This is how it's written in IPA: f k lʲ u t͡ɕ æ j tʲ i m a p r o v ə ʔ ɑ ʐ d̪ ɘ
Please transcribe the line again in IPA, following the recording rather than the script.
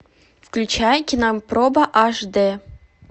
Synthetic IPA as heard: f k lʲ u t͡ɕ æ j kʲ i n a p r o b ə ʔ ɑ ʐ d̪ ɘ